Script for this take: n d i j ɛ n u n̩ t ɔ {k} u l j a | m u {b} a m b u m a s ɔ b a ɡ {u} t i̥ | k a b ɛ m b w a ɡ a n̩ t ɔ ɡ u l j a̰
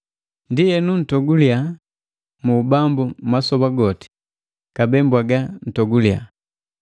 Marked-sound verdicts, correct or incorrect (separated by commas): incorrect, correct, incorrect